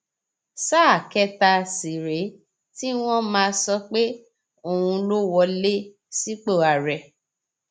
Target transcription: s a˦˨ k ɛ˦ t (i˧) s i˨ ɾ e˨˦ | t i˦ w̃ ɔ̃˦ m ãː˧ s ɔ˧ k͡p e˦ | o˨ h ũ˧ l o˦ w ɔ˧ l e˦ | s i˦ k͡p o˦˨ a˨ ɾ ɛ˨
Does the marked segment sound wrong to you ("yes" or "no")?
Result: yes